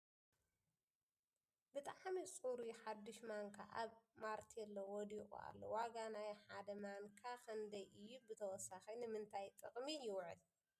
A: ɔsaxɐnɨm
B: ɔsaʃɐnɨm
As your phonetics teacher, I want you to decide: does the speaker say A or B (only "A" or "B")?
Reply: A